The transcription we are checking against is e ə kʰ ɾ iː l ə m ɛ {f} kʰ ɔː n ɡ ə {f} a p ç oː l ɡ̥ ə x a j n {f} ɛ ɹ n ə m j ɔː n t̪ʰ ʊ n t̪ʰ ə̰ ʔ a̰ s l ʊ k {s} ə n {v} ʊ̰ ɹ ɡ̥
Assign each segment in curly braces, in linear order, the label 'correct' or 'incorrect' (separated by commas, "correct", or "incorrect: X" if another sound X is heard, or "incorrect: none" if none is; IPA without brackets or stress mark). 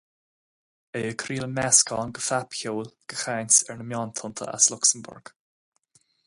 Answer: incorrect: s, correct, incorrect: s, correct, incorrect: b